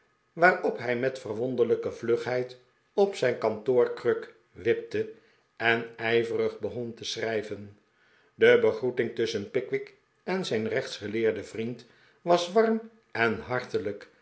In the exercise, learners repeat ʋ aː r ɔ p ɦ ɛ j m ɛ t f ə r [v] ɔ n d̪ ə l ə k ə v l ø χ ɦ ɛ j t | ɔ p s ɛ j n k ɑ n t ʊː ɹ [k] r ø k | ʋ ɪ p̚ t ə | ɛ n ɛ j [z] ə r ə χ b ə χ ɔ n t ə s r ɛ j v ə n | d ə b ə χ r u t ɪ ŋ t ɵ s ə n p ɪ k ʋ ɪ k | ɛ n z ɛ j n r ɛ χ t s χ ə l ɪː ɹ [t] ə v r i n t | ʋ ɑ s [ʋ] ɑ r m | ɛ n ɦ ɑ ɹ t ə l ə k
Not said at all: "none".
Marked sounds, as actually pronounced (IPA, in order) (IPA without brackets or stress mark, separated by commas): ʋ, k, v, d, ʋ